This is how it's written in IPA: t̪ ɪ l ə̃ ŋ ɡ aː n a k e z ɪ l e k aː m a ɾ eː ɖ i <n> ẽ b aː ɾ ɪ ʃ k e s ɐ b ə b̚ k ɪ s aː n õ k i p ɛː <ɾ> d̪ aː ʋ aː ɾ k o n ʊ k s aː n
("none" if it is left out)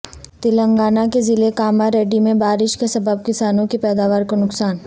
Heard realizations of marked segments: m, none

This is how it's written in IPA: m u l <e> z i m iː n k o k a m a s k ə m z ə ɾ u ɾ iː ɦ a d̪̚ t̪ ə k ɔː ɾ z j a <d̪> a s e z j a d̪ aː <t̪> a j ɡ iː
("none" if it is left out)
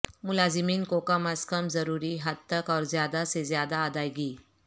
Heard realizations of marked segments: a, d̪, d̪

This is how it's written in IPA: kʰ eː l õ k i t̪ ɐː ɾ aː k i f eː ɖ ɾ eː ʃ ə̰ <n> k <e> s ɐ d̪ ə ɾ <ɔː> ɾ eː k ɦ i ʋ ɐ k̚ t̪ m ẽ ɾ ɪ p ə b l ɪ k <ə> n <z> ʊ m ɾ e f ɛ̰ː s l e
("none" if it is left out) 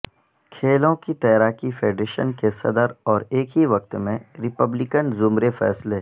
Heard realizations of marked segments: n, e, ɔː, ə, z

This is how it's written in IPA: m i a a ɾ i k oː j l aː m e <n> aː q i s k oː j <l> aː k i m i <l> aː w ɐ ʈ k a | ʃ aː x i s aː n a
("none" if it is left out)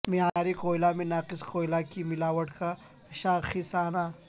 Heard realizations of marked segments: n, l, l

